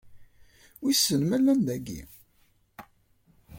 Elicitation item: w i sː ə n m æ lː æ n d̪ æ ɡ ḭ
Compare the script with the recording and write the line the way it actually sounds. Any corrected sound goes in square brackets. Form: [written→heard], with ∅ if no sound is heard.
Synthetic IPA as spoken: w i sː ə n m æ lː æ n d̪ æ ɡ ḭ